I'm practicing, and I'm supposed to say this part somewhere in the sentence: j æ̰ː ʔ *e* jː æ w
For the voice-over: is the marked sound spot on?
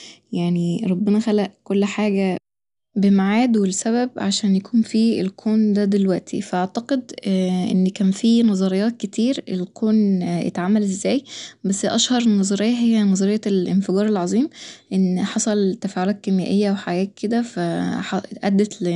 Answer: yes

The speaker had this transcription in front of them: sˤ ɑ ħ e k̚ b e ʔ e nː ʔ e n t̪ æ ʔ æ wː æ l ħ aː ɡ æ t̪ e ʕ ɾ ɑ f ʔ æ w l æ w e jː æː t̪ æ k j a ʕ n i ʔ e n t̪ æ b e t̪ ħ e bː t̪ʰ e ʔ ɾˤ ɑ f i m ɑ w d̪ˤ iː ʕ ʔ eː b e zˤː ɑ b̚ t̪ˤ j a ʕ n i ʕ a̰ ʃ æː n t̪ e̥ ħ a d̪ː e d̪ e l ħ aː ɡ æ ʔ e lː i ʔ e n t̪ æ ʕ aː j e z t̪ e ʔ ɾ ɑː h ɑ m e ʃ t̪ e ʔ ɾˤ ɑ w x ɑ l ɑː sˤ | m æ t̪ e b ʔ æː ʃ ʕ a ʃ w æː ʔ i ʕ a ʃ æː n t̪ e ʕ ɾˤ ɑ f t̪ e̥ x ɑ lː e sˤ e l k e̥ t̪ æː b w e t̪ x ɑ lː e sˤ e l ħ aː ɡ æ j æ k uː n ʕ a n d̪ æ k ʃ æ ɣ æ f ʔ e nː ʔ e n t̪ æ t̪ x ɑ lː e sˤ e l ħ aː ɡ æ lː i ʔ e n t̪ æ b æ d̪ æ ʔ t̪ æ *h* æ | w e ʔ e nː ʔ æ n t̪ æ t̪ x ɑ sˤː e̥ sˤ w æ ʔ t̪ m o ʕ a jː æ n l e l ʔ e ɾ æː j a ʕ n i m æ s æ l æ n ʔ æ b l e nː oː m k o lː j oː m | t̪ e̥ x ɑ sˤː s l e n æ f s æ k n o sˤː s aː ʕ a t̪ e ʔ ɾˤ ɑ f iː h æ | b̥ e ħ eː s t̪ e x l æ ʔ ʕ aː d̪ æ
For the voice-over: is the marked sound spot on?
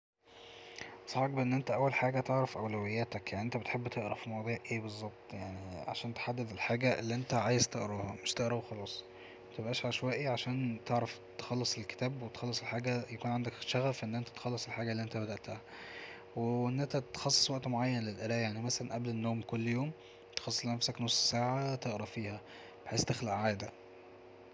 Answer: yes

